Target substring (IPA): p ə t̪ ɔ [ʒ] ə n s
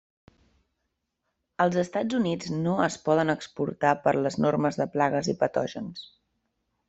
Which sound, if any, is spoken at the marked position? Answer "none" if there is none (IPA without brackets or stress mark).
ʒ